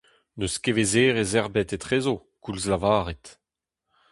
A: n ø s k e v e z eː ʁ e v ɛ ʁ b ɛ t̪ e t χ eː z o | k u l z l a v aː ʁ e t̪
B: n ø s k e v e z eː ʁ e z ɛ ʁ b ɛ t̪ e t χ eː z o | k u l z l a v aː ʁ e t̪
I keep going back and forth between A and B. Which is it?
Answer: B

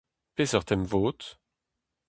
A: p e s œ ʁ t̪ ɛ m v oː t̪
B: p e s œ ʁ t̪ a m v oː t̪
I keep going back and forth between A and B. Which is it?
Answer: A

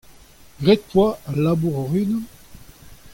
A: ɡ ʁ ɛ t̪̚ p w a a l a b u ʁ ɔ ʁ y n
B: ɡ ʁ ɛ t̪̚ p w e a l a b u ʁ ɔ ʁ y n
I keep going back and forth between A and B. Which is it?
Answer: A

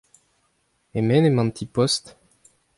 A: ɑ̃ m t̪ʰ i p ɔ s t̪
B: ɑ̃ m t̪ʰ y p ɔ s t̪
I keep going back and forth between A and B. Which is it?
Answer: A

